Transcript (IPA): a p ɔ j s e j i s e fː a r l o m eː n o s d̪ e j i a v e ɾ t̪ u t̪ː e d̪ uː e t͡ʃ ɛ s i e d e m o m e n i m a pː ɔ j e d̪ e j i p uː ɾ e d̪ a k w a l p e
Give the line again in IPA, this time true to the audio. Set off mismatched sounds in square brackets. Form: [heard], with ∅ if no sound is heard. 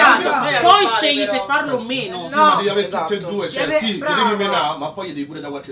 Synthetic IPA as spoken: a p ɔ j [ʃ] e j i s e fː a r l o m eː n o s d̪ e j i a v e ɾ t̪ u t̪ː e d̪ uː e t͡ʃ ɛ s i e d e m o m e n [a] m a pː ɔ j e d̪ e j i p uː ɾ e d̪ a k w a l [k] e